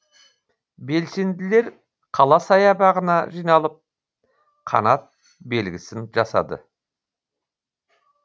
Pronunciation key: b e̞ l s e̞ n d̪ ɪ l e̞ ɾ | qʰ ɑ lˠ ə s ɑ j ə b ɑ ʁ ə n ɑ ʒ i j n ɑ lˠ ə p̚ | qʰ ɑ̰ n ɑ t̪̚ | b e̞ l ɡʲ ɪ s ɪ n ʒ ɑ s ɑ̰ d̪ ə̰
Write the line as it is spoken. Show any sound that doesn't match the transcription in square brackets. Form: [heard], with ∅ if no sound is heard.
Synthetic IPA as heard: b e̞ l s e̞ n d̪ ɪ l e̞ ɾ | qʰ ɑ lˠ [ɑ] s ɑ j [ɑ] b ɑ ʁ ə n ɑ ʒ i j n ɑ lˠ ə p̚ | qʰ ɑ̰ n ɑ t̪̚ | b e̞ l ɡʲ ɪ s ɪ n ʒ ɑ s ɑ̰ d̪ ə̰